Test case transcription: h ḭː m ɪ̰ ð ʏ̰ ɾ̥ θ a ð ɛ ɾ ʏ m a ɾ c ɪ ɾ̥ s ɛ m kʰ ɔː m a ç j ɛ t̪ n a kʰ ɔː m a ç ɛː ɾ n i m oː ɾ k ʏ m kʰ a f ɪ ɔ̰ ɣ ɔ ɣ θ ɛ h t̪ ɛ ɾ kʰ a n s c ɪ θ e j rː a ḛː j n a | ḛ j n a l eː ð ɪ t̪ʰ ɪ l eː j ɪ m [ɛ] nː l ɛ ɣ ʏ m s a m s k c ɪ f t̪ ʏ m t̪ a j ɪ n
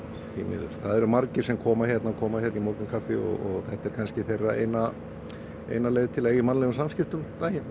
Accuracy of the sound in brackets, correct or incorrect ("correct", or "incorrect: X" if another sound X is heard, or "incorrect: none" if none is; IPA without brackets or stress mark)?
incorrect: a